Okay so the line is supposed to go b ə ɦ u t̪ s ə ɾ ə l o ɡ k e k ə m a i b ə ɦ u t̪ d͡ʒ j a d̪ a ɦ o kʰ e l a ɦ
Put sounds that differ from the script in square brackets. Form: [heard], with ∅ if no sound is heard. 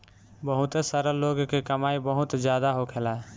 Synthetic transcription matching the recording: b ə ɦ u t̪ s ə ɾ ə l o ɡ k e k ə m a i b ə ɦ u t̪ d͡ʒ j a d̪ a ɦ o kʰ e l a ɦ